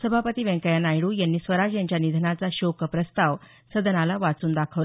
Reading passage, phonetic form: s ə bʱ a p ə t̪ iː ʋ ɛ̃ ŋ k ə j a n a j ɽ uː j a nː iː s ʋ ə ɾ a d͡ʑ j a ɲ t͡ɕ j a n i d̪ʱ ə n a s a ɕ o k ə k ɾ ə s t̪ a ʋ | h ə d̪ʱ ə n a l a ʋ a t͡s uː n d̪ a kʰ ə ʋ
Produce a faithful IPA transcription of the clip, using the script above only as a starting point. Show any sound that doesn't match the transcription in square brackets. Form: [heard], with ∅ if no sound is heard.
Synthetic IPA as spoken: s ə bʱ a p ə t̪ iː ʋ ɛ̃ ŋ k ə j a n a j ɽ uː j a nː iː s ʋ ə ɾ a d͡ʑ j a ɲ t͡ɕ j a n i d̪ʱ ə n a [t͡s] a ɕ o k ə [p] ɾ ə s t̪ a ʋ | [s] ə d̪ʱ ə n a l a ʋ a t͡s uː n d̪ a kʰ ə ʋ